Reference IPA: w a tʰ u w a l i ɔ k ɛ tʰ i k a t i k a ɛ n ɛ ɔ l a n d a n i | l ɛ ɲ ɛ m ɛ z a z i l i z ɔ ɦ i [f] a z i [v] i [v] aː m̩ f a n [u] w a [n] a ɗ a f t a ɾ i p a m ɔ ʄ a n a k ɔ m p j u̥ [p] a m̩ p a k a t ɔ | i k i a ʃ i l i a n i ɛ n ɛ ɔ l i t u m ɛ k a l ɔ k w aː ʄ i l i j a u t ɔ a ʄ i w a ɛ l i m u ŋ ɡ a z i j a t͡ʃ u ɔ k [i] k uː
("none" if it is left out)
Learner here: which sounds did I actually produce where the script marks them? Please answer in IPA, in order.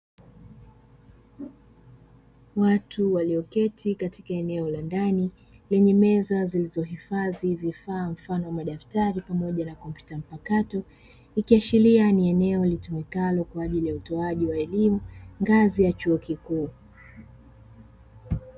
f, v, f, ɔ, m, t, i

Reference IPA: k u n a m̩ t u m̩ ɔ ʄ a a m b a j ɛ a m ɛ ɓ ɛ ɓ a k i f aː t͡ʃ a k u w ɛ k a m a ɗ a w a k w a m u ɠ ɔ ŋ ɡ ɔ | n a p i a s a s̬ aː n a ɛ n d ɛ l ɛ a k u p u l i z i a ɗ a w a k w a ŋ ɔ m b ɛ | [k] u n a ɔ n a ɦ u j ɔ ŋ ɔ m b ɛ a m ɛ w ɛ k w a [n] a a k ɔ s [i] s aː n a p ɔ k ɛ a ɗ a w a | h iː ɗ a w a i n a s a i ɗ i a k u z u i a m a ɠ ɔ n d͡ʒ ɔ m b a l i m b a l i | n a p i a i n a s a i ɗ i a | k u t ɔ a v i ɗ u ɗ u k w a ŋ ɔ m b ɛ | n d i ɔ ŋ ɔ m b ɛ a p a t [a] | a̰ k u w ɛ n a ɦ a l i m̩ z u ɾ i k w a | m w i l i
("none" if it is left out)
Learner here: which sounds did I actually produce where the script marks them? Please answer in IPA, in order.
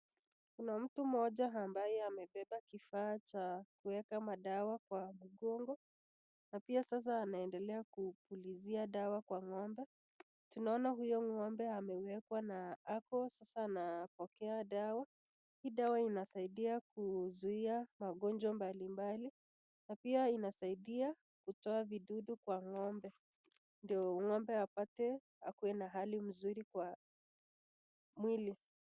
t, n, a, ɛ

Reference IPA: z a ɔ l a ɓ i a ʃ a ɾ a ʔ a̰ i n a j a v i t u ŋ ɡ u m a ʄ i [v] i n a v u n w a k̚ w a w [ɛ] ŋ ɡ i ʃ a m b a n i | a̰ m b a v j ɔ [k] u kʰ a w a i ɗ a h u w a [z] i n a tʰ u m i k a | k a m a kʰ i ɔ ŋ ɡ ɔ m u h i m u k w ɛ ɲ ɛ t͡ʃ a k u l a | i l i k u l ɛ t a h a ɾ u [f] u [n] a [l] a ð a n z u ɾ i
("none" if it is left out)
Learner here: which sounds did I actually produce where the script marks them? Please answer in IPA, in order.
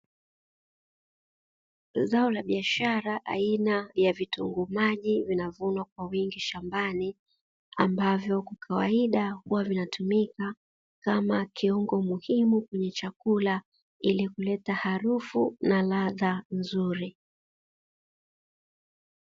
v, i, k, v, f, n, l

